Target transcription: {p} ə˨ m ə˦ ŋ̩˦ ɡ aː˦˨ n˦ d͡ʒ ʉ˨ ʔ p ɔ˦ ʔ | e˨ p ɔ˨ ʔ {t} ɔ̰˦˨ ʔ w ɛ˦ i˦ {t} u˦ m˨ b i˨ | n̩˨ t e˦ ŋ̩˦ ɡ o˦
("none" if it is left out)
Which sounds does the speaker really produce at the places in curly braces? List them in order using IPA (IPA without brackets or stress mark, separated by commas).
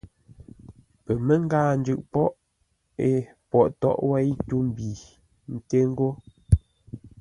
p, t, t